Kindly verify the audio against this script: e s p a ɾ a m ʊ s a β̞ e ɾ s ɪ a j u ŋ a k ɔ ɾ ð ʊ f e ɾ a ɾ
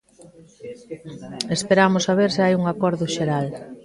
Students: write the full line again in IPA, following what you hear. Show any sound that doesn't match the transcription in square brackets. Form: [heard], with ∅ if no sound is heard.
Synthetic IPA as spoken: e s p [e] ɾ a m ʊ s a β̞ e ɾ s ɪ a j u ŋ a k ɔ ɾ ð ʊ [ʃ] e ɾ a [l]